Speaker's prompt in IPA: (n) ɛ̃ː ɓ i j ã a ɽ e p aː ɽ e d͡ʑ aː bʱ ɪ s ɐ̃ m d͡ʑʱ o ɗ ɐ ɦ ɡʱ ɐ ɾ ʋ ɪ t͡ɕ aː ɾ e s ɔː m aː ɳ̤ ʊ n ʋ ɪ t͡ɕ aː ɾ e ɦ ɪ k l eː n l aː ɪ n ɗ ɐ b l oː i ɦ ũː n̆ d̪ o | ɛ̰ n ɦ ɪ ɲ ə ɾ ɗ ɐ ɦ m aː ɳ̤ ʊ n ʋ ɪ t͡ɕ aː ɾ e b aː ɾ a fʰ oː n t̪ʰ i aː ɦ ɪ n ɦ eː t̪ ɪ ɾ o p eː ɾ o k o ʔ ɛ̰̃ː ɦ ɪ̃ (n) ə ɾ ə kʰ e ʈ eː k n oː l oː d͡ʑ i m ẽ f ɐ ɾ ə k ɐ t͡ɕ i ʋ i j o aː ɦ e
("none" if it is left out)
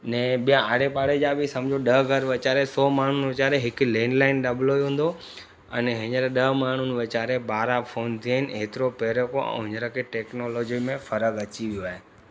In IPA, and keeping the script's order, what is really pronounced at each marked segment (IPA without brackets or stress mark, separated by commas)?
n, ɲ